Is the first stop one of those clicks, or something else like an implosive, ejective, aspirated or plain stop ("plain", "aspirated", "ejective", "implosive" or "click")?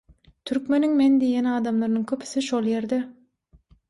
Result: aspirated